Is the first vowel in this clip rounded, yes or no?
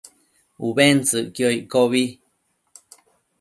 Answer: yes